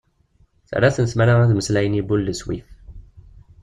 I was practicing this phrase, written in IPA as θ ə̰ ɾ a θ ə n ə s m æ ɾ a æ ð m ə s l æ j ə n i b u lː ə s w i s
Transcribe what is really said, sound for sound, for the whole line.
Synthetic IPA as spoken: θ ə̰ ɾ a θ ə n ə s m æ ɾ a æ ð m ə s l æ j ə n i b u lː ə s w i f

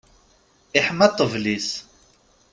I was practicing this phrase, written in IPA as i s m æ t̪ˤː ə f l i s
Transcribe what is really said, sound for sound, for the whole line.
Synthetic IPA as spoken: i ħ m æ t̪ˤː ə v l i s

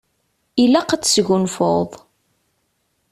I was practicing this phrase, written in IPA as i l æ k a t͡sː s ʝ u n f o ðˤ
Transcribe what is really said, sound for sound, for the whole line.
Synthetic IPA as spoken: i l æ q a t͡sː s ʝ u n f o ðˤ

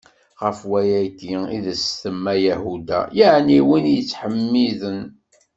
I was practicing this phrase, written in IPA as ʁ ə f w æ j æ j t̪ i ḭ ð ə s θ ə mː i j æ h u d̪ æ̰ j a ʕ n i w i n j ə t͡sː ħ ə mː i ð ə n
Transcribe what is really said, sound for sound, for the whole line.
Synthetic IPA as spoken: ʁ ə f w æ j æ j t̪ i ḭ ð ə s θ ə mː æ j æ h u d̪ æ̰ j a ʕ n i w i n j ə t͡sː ħ ə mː i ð ə n

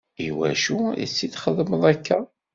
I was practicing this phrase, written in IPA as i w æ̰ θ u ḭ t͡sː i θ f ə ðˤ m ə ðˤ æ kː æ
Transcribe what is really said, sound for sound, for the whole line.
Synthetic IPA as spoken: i w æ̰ ʃ u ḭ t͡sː i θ χ ə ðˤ m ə ðˤ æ kː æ

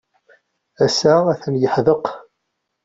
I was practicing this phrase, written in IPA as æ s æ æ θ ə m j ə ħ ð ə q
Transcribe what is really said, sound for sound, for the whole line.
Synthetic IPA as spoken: æ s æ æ θ ə n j ə ħ ð ə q

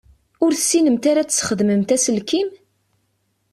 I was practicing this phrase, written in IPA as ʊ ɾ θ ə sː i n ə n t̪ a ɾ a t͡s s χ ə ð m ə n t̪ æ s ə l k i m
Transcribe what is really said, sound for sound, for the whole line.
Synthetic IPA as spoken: ʊ ɾ θ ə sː i n ə m t̪ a ɾ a t͡s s χ ə ð m ə m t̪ æ s ə l k i m

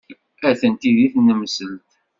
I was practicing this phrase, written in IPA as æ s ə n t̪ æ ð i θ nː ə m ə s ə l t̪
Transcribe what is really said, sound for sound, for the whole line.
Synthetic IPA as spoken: æ θ ə n t̪ i ð i θ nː ə m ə s ə l t̪

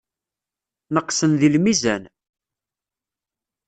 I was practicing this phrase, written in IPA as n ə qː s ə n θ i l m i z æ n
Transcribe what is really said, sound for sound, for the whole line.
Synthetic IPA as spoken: n ə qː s ə n ð i l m i z æ n

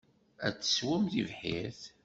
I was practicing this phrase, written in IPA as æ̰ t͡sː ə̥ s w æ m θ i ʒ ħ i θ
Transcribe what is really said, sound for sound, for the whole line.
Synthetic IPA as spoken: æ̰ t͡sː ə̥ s w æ m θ i v ħ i θ

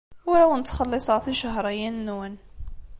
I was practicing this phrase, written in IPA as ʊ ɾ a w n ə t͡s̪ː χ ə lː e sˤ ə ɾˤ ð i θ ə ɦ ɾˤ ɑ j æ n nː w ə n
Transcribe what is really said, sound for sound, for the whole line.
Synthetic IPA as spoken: ʊ ɾ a w n ə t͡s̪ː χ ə lː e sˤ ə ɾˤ θ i ʃ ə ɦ ɾˤ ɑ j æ n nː w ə n

